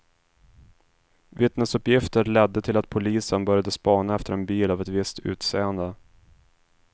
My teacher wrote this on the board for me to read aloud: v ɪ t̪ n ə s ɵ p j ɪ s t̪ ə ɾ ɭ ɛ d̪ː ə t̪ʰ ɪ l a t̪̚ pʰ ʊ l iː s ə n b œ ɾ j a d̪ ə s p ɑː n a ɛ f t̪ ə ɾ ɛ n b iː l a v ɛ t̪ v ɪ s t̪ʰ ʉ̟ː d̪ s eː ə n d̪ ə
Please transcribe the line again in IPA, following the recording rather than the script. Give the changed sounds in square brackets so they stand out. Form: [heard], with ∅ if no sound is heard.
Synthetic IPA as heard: v ɪ t̪ n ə s ɵ p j ɪ [f] t̪ ə ɾ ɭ ɛ d̪ː ə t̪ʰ ɪ l a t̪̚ pʰ ʊ l iː s ə n b œ ɾ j a d̪ ə s p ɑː n a ɛ f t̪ ə ɾ ɛ n b iː l a v ɛ t̪ v ɪ s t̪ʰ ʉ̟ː [t̪] s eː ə n d̪ ə